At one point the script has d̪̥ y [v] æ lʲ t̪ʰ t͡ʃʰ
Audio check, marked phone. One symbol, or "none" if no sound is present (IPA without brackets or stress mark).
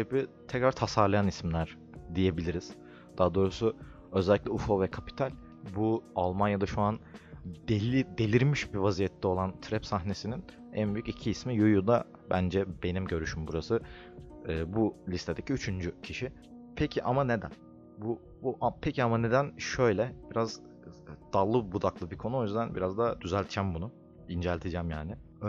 z